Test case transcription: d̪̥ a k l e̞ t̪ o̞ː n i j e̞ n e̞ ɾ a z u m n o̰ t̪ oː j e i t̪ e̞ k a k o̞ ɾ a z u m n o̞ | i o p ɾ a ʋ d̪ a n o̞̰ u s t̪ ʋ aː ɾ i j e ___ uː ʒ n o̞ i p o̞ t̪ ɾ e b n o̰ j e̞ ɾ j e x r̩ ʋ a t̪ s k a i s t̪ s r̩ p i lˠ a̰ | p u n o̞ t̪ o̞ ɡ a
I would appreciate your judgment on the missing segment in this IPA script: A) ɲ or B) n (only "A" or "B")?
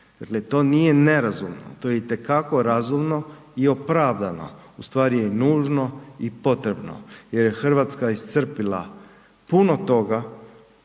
B